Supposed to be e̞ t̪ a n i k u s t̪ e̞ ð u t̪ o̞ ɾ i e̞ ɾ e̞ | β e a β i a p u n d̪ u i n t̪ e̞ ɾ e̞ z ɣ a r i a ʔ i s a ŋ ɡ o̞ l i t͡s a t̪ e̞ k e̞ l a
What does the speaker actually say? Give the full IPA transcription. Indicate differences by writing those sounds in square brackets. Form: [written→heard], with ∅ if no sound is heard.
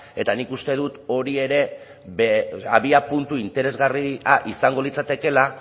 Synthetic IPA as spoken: e̞ t̪ a n i k u s t̪ e̞ ð u t̪ o̞ ɾ i e̞ ɾ e̞ | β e a β i a p u n [d̪→t̪] u i n t̪ e̞ ɾ e̞ z ɣ a r i a ʔ i s a ŋ ɡ o̞ l i t͡s a t̪ e̞ k e̞ l a